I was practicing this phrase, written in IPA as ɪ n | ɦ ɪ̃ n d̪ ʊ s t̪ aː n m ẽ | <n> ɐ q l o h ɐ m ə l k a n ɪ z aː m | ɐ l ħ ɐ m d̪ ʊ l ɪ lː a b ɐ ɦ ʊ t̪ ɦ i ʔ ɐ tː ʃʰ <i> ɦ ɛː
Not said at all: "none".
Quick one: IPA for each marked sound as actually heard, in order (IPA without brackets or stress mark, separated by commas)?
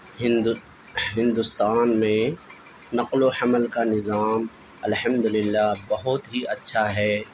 n, a